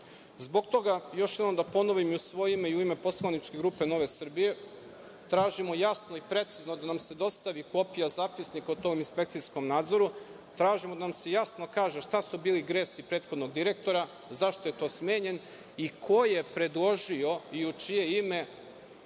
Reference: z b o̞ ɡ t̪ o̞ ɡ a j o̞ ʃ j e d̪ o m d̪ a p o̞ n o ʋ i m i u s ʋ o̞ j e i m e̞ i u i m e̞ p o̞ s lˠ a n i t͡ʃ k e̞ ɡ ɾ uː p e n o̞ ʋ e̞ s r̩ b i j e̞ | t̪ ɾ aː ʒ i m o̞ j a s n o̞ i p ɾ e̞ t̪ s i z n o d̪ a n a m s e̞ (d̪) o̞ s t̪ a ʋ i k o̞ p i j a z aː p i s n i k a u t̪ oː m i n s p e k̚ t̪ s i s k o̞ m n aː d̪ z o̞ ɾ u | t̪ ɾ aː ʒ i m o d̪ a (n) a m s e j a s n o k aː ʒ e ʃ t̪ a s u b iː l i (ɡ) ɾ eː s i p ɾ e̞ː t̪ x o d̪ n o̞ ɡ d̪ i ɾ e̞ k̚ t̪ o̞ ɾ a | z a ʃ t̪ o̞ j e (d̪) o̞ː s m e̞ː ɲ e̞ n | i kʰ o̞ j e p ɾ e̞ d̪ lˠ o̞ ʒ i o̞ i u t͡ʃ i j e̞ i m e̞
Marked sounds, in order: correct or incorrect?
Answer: correct, correct, correct, incorrect: t̪

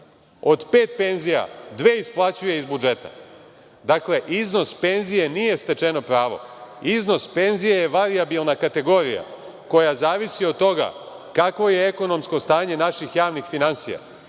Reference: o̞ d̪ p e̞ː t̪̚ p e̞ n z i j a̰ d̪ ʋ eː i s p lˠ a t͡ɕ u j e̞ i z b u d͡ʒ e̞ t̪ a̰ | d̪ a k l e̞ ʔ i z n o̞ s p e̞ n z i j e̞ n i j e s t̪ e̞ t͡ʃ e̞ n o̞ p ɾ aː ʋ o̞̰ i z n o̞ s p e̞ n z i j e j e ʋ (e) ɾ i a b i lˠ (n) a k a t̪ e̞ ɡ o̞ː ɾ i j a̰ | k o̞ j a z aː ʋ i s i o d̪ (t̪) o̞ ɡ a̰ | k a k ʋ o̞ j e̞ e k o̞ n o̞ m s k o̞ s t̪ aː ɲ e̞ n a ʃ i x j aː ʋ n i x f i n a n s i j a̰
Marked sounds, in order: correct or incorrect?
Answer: incorrect: a, correct, correct

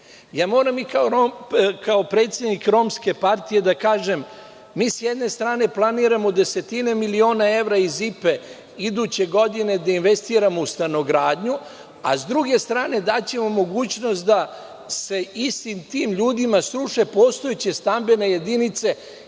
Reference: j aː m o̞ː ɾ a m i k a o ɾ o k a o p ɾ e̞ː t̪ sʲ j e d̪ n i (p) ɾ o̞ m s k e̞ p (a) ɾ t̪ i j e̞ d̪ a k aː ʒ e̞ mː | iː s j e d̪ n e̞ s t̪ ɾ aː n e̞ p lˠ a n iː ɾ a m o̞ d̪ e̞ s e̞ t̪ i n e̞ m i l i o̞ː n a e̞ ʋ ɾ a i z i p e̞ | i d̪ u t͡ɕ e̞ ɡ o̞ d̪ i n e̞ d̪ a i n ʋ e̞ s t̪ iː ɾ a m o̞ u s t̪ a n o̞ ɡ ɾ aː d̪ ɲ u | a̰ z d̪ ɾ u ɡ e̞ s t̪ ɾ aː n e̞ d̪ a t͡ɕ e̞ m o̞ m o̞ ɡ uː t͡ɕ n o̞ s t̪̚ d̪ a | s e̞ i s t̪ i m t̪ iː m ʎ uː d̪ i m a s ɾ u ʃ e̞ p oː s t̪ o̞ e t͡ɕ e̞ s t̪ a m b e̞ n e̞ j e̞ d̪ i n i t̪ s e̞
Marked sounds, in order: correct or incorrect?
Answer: incorrect: k, correct

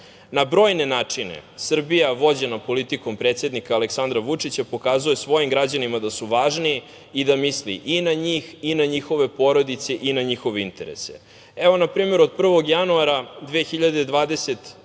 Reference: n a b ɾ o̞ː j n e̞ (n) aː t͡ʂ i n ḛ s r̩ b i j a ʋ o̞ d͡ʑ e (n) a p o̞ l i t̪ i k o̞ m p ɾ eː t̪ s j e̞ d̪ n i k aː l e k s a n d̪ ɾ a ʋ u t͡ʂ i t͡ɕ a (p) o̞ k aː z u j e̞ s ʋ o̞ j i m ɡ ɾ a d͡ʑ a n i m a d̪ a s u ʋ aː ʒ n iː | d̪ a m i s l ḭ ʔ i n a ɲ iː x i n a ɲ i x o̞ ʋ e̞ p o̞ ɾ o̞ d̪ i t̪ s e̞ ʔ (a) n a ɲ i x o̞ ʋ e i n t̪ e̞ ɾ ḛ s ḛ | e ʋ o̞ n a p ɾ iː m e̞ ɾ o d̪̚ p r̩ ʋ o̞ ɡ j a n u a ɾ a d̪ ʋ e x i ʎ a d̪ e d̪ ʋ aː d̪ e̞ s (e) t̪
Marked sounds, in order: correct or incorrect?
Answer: correct, correct, correct, incorrect: i, correct

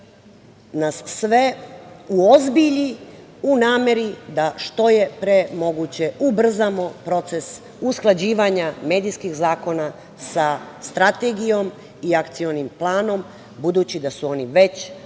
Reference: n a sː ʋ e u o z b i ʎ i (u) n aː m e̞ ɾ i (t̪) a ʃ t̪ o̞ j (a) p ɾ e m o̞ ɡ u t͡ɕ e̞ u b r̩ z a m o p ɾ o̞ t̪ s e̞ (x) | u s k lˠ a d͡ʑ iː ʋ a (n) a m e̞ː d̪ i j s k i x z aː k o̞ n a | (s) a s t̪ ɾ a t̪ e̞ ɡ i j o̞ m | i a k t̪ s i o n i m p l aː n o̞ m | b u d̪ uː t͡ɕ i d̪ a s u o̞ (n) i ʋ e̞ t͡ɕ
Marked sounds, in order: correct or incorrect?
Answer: correct, incorrect: d̪, incorrect: e, incorrect: s, incorrect: ɲ, correct, correct

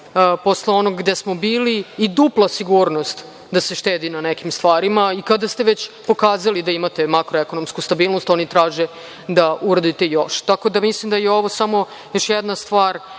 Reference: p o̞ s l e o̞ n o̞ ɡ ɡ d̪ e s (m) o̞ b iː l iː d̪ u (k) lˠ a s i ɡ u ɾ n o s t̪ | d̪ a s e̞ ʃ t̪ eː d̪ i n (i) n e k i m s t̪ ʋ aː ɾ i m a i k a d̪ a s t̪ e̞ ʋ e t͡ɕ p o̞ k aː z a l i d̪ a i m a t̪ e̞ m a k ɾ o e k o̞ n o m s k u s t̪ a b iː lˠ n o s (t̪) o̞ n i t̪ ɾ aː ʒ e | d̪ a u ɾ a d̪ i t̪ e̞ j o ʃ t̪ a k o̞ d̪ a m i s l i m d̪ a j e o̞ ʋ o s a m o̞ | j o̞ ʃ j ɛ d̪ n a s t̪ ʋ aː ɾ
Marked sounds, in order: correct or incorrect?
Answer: correct, incorrect: p, incorrect: a, correct

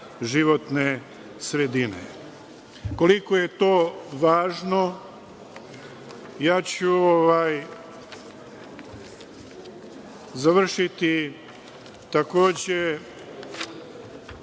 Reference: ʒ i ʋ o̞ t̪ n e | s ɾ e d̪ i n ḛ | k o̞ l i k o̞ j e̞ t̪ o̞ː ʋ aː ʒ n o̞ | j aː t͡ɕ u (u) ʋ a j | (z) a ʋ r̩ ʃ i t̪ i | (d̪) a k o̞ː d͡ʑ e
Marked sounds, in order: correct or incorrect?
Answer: incorrect: o, correct, incorrect: t̪

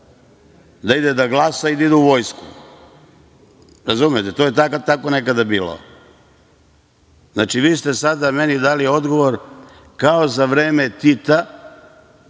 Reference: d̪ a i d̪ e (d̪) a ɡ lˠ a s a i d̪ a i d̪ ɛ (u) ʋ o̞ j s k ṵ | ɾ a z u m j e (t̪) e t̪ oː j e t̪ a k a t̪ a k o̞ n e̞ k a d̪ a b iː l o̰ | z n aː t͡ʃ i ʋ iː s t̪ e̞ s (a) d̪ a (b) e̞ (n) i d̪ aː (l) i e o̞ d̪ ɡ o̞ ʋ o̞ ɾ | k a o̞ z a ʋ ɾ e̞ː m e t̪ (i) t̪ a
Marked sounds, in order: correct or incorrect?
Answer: correct, correct, correct, correct, incorrect: m, correct, correct, correct

